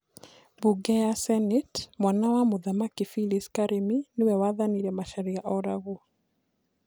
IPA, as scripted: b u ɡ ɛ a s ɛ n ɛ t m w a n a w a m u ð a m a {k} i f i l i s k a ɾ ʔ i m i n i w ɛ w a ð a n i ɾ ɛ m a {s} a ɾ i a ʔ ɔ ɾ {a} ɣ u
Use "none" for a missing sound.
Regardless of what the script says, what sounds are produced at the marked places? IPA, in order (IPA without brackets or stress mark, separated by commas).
k, ʃ, a